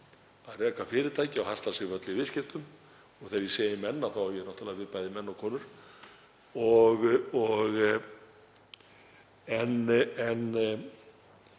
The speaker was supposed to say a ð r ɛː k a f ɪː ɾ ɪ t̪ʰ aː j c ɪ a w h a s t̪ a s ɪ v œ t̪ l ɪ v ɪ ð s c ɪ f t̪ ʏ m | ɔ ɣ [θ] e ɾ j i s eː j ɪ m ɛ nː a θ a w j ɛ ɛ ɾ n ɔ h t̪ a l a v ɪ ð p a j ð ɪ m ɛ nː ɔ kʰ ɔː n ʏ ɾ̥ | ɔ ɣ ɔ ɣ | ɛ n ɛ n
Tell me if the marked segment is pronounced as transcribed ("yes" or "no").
yes